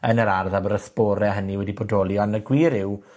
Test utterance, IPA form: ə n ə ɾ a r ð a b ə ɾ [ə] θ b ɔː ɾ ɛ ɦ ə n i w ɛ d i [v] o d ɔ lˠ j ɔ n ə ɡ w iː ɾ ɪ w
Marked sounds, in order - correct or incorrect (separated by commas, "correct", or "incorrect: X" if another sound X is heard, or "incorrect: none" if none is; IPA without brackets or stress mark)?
correct, incorrect: b